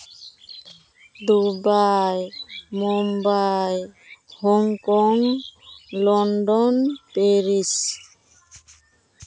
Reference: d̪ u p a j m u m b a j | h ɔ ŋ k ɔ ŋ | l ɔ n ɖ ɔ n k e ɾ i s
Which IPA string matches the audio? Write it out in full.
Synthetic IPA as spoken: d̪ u b a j m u m b a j | h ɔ ŋ k ɔ ŋ | l ɔ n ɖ ɔ n p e ɾ i s